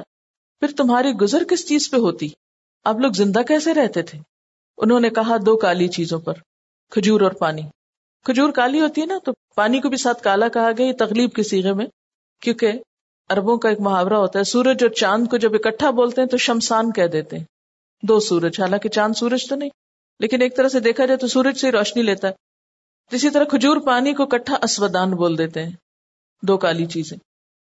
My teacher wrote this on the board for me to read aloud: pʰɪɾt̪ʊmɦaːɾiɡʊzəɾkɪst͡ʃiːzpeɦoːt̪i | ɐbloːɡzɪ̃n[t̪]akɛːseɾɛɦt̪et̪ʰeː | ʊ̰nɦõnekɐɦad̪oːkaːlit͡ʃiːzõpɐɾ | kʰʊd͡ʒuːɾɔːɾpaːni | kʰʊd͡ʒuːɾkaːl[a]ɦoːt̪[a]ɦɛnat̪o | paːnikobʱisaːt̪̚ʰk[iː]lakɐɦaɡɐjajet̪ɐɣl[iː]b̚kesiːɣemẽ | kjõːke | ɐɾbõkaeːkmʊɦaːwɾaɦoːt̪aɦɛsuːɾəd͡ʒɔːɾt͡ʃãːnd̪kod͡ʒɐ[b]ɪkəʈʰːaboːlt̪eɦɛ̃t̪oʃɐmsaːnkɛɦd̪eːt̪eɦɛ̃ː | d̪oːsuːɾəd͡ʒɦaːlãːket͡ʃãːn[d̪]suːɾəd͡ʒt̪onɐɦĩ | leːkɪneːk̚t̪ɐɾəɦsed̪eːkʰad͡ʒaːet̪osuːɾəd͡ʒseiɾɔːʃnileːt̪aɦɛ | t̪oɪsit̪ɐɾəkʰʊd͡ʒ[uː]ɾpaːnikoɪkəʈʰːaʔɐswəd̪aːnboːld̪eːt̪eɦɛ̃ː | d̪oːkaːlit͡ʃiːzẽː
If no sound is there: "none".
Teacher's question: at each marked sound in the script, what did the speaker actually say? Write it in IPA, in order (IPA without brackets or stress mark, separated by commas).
d̪, i, i, aː, iː, b, d̪, uː